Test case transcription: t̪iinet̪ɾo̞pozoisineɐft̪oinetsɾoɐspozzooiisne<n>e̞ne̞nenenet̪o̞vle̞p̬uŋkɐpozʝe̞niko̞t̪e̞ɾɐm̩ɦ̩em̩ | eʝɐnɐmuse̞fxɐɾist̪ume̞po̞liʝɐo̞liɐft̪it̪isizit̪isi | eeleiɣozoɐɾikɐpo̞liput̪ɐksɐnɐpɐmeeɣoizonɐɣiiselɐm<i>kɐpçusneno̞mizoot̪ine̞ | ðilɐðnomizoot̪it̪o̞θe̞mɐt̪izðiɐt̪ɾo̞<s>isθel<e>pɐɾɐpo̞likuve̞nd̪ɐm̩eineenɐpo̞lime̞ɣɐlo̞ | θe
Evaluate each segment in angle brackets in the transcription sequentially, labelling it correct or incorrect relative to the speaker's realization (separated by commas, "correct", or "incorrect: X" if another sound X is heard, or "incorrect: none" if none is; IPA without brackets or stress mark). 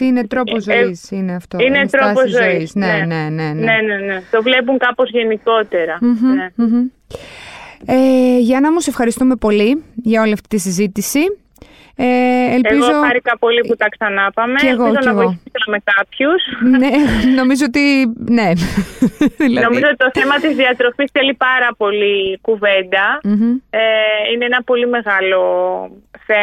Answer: correct, incorrect: e, incorrect: f, incorrect: i